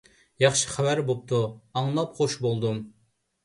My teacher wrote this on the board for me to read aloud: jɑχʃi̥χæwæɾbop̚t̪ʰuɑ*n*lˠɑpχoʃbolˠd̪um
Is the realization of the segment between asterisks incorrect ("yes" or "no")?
yes